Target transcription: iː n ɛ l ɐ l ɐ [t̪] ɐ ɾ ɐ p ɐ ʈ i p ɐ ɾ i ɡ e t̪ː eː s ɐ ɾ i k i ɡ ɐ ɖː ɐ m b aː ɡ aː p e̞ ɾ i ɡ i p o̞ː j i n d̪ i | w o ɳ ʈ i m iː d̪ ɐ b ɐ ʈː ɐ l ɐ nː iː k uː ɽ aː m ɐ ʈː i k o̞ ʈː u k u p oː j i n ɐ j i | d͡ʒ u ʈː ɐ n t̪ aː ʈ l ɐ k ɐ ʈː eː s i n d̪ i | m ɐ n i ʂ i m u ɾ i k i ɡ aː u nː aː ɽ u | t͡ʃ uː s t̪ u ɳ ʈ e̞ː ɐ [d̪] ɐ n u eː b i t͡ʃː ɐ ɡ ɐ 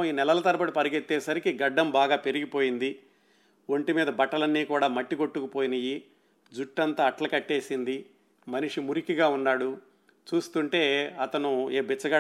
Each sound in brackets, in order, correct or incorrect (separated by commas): correct, incorrect